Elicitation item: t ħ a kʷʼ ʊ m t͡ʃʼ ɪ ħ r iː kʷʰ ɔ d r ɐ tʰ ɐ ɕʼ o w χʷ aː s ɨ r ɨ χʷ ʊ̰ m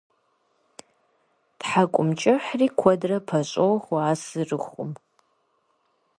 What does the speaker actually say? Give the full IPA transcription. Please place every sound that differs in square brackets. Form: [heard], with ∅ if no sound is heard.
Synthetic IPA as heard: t ħ a kʷʼ ʊ m t͡ʃʼ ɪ ħ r iː kʷʰ ɔ d r ɐ [pʰ] ɐ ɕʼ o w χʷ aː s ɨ r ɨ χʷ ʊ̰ m